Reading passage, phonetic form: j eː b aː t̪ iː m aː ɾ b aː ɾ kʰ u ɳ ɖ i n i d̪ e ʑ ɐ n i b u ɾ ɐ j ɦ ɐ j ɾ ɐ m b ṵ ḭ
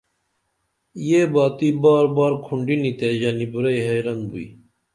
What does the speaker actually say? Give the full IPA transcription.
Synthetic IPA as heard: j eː b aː t̪ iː b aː ɾ b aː ɾ kʰ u ɳ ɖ i n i t̪ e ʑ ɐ n i b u ɾ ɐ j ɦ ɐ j ɾ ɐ n b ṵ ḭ